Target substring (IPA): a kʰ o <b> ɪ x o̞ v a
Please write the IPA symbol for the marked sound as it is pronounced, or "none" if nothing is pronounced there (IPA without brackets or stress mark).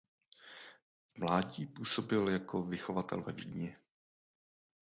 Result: v